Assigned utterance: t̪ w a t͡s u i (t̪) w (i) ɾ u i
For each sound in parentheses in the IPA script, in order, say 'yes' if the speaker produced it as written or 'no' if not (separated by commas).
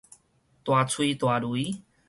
yes, no